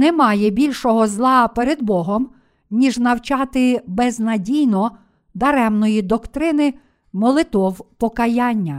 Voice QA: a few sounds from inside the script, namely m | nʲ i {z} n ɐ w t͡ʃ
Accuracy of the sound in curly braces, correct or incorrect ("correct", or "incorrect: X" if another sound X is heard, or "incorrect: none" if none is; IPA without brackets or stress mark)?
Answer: incorrect: ʒ